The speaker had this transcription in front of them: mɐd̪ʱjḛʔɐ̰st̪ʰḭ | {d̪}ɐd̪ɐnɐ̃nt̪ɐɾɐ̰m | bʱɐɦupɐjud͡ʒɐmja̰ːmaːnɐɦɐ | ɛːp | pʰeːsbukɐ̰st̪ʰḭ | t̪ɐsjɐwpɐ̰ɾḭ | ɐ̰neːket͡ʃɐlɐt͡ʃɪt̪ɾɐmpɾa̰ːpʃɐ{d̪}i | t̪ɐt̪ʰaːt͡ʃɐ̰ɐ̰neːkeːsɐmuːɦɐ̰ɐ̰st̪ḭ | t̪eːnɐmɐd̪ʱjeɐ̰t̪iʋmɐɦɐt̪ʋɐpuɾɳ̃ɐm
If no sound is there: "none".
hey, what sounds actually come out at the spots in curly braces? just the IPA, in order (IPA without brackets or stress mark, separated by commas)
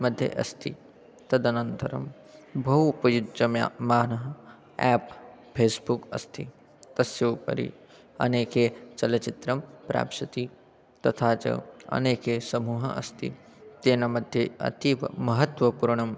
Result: t̪, t̪